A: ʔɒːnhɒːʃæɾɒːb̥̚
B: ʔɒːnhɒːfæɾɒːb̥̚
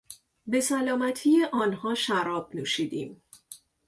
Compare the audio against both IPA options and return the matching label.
A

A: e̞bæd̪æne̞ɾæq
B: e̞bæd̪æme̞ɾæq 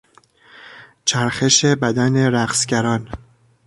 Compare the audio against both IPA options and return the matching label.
A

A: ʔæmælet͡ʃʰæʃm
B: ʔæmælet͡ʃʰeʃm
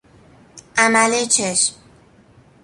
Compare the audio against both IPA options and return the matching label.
B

